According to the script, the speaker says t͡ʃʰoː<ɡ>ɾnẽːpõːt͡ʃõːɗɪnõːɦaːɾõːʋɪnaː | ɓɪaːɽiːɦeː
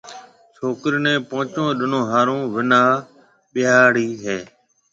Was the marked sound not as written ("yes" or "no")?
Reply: yes